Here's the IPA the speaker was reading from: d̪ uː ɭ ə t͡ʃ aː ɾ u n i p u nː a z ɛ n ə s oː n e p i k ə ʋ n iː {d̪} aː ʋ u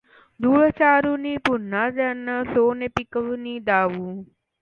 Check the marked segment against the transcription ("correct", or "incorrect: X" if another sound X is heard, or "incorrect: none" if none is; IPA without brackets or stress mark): correct